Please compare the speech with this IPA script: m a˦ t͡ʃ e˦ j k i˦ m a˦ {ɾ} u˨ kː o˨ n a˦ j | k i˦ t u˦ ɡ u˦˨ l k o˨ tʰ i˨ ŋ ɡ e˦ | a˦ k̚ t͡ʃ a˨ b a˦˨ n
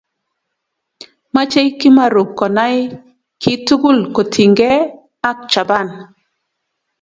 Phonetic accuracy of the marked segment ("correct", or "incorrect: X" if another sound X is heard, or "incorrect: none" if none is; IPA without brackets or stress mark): correct